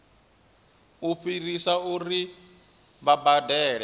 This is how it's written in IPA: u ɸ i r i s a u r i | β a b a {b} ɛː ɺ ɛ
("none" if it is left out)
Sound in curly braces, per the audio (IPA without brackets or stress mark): d